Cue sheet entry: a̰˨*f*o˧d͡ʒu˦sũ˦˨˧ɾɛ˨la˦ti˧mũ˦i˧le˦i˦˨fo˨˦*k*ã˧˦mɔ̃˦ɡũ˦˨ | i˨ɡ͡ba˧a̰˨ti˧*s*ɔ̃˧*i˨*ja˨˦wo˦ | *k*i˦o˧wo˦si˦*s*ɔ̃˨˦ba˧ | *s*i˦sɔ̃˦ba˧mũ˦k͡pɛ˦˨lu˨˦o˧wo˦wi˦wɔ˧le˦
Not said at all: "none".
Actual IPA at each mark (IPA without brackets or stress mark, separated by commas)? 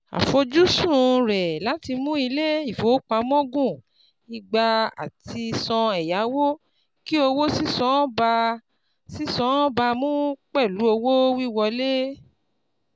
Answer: f, k͡p, s, ɛ˨, k, s, s